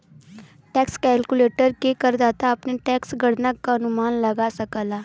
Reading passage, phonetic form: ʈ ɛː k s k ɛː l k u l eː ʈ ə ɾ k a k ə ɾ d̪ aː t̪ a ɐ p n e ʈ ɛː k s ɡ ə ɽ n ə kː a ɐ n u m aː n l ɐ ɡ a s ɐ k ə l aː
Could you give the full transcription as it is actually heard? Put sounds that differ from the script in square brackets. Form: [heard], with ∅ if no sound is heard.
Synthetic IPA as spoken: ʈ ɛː k s k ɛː l k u l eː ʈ ə ɾ k [e] k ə ɾ d̪ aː t̪ a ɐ p n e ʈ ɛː k s ɡ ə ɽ n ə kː a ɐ n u m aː n l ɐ ɡ a s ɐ k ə l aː